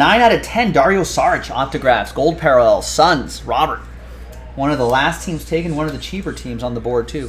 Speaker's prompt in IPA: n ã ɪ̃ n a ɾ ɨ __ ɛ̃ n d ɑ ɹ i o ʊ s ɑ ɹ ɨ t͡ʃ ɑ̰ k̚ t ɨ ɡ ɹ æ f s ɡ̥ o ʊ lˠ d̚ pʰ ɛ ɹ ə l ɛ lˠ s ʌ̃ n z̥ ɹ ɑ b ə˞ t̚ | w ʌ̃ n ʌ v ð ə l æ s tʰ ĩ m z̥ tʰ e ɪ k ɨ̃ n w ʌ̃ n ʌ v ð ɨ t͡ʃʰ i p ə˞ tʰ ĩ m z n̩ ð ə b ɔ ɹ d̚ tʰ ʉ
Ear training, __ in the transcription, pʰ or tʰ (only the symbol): tʰ